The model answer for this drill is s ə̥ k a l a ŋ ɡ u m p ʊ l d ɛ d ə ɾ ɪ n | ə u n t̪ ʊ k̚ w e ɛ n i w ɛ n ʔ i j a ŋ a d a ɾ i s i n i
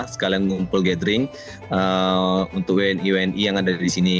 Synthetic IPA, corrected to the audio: s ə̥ k a l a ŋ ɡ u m p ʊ l ɡ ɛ d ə ɾ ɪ ŋ | ə u n t̪ ʊ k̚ w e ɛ n i w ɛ n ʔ i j a ŋ a d a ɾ i s i n i